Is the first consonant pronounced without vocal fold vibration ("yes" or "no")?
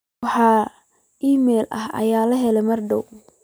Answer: yes